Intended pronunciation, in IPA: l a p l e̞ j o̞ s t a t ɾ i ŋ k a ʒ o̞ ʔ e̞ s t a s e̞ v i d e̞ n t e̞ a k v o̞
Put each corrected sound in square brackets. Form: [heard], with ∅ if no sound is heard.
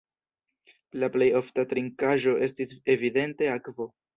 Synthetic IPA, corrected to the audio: l a p l e̞ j o̞ [f] t a t ɾ i ŋ k a ʒ o̞ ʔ e̞ s t [i] s e̞ v i d e̞ n t e̞ a k v o̞